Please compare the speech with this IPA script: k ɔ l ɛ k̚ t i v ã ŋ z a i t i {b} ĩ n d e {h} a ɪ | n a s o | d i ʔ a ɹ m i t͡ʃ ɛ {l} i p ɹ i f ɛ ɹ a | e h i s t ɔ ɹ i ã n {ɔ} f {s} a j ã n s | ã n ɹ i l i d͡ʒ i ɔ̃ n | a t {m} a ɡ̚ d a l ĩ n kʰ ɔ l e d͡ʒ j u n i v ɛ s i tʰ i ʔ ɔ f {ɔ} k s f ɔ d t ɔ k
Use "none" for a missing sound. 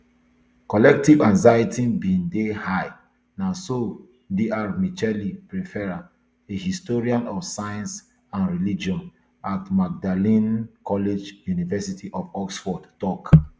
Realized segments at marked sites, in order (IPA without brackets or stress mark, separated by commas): b, h, l, ɔ, s, m, ɔ